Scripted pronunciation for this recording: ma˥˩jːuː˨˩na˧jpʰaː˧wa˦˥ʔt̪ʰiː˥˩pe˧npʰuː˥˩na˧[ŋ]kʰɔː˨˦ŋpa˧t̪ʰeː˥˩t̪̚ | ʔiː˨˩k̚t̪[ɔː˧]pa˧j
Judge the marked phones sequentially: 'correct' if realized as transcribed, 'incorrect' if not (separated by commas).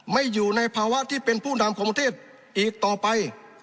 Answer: incorrect, incorrect